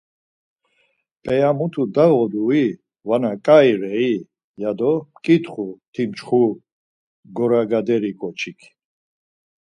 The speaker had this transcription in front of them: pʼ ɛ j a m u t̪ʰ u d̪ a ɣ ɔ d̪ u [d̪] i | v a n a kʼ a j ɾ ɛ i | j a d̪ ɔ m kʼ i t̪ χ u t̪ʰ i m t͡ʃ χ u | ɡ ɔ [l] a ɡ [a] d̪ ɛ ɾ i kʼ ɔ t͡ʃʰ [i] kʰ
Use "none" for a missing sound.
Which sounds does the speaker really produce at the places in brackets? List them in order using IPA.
none, ɾ, a, i

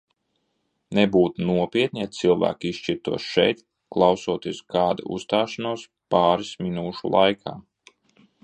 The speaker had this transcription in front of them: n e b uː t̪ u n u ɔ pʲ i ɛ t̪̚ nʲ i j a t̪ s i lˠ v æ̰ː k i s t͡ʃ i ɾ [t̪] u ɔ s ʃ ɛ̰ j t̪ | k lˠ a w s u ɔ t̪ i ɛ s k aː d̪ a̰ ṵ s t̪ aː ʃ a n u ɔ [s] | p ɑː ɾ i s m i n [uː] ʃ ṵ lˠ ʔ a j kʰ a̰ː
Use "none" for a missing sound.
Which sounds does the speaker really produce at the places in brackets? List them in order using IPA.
t̪, s, uː

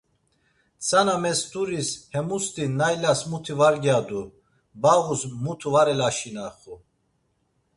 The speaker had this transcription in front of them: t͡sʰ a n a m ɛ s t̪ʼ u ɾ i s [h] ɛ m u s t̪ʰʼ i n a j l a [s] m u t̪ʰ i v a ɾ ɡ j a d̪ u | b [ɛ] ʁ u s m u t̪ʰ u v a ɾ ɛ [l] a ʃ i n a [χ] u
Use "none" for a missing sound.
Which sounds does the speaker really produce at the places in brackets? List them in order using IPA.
h, s, a, l, χ

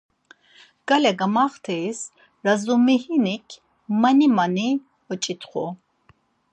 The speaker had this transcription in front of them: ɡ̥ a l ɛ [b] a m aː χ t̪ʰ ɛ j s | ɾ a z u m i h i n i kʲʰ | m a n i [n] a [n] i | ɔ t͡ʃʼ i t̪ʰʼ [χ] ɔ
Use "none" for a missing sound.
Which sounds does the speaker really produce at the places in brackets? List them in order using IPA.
ɡ, m, n, χ

